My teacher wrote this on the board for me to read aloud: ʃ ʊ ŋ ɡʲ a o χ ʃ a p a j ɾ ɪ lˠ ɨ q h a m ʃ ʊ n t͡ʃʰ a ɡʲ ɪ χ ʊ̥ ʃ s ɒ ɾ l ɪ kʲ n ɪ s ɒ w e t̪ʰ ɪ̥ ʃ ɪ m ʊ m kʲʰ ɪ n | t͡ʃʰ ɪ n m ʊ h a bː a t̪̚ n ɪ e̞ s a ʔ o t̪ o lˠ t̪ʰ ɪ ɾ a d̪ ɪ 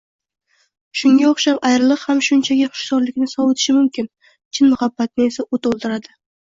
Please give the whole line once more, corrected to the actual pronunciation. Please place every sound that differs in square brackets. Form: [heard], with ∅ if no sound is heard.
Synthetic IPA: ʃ ʊ ŋ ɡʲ a o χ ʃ a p a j ɾ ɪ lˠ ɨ q h a m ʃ ʊ n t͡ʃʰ a ɡʲ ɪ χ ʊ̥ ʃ s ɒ ɾ l ɪ kʲ n ɪ s ɒ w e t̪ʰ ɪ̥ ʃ ɪ m ʊ m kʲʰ ɪ n | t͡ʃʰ ɪ n m ʊ h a bː a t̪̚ n ɪ e̞ s a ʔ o t̪ o lˠ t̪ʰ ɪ ɾ a d̪ ɪ